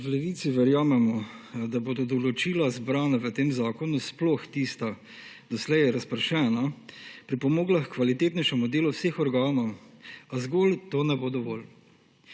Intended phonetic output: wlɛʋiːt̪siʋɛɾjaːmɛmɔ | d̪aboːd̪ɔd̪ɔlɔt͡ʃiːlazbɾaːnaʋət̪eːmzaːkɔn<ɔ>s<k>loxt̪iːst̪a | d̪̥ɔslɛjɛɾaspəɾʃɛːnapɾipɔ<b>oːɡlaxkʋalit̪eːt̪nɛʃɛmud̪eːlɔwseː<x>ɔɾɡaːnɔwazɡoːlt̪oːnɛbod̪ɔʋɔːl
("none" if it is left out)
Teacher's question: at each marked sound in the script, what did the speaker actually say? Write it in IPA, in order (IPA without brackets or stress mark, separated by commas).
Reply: u, p, m, x